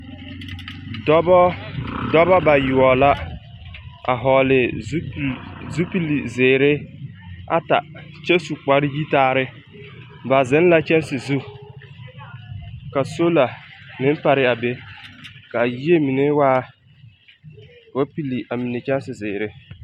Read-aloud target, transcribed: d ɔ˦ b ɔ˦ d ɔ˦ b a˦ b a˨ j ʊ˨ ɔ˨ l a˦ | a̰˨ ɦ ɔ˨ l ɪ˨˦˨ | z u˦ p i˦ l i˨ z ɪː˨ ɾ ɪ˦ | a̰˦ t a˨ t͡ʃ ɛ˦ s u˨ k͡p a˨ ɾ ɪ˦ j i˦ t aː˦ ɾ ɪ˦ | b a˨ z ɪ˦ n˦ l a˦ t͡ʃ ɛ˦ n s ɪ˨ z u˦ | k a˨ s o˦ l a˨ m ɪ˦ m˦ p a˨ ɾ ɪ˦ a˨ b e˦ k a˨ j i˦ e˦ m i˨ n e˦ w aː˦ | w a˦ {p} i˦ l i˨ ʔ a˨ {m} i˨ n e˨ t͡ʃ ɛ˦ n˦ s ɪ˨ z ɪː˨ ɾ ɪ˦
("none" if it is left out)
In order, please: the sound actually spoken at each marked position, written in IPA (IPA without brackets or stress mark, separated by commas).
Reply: p, m